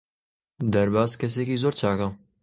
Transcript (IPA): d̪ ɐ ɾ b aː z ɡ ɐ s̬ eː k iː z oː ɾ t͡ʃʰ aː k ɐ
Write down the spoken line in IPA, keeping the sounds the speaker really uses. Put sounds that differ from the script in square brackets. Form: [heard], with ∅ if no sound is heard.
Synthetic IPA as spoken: d̪ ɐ ɾ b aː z [k] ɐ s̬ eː k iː z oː ɾ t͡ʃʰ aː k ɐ